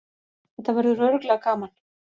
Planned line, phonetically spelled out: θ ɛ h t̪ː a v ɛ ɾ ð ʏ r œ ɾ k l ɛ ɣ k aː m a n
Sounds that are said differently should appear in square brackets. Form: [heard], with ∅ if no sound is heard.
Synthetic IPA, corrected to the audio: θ ɛ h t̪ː a v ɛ ɾ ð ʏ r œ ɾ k l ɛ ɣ k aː m a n